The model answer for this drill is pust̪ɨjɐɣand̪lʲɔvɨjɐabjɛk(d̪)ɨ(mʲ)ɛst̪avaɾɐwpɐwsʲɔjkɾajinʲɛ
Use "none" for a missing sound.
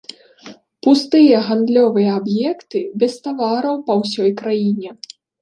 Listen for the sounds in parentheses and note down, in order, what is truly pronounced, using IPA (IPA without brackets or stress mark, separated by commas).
t̪, bʲ